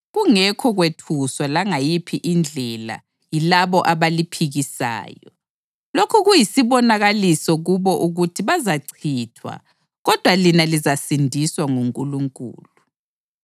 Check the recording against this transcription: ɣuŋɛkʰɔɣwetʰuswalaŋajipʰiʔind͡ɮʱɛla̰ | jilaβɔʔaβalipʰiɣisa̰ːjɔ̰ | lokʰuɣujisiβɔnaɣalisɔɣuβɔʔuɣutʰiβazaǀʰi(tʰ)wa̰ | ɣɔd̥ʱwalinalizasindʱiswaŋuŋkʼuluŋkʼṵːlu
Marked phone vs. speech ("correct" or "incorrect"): correct